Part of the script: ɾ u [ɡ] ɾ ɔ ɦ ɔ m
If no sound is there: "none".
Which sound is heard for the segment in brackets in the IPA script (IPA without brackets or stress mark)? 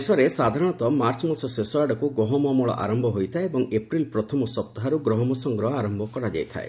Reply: ɡ